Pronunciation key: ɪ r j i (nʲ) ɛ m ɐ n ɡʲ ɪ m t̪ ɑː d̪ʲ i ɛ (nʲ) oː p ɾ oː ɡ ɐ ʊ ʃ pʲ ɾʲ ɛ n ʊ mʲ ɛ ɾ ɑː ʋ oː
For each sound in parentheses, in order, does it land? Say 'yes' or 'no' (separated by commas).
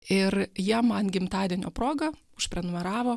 no, yes